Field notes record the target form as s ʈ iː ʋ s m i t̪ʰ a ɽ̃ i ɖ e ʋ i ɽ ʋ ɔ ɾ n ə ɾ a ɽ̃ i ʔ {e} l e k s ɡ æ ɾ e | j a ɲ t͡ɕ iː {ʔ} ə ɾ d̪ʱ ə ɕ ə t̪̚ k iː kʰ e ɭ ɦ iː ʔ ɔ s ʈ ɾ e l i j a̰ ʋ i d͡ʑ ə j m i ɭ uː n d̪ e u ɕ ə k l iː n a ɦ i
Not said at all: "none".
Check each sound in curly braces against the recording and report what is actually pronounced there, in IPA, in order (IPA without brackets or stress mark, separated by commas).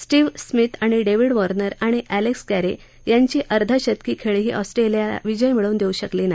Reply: æ, ʔ